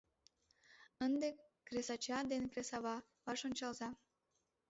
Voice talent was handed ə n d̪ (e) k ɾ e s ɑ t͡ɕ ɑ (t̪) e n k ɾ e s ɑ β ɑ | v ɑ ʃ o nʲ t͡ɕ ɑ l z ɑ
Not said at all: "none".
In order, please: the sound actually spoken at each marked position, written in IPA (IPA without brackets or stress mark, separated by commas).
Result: e, d̪